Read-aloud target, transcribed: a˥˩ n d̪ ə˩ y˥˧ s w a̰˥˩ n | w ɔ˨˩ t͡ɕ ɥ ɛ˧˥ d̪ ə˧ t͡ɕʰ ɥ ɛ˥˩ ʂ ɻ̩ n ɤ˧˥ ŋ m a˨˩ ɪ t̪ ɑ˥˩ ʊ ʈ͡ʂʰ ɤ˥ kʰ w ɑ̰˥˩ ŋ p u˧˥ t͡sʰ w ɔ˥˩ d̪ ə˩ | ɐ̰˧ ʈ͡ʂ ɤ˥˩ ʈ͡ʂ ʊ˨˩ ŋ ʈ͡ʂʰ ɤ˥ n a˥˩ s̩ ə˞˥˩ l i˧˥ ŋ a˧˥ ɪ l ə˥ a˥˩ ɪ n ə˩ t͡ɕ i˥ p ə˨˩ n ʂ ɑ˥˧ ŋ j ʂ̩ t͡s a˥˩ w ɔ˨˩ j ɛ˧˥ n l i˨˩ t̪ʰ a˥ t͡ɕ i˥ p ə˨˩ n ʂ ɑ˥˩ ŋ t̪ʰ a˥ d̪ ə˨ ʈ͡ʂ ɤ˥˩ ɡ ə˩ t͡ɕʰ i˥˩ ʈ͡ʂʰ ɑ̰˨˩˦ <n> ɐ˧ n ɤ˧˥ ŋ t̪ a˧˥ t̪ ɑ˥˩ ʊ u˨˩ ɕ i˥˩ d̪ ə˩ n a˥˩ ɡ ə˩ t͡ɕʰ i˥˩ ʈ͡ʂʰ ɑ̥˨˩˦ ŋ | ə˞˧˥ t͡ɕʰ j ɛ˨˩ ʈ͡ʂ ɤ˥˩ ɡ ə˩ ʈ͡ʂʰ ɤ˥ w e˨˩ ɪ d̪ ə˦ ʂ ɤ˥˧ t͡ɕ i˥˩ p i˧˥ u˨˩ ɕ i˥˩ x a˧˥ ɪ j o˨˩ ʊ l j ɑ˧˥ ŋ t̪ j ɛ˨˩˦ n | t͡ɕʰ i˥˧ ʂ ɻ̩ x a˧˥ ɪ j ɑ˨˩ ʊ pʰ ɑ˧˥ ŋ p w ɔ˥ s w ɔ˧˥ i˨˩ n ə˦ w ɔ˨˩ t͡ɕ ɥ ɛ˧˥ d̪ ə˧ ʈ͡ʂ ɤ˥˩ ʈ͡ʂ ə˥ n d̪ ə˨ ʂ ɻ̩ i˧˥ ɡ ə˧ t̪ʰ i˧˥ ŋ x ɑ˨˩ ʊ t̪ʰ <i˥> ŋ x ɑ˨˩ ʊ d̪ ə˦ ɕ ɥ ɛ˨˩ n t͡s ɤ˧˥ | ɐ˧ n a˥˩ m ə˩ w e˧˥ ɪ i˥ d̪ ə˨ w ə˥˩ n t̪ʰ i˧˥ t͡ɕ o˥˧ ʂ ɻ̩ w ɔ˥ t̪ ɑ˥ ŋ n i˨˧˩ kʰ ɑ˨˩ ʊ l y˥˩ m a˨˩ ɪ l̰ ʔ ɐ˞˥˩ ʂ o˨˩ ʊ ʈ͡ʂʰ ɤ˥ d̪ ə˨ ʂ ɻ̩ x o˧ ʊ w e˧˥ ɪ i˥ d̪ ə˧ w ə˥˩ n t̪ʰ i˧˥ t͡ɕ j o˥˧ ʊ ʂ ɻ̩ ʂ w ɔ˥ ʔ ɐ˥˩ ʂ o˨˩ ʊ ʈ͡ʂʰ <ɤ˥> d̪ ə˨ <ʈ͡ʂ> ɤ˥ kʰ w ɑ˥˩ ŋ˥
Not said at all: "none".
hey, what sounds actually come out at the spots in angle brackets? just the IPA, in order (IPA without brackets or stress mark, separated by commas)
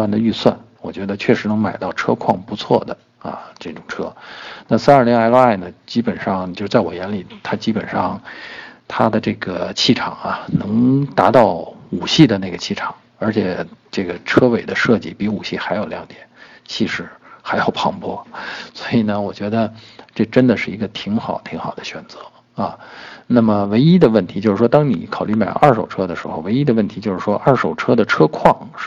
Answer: ŋ, i˧˥, ɤ˥, ʈ͡ʂʰ